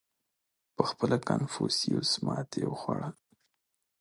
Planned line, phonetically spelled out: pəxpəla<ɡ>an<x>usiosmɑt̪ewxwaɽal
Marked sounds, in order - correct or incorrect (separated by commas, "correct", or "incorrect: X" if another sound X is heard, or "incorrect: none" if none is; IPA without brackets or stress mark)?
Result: incorrect: k, incorrect: f